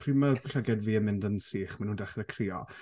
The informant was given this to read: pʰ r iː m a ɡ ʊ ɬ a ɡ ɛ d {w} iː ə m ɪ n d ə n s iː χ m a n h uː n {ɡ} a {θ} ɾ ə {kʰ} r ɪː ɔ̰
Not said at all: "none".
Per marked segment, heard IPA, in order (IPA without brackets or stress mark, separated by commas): v, d, χ, kʰ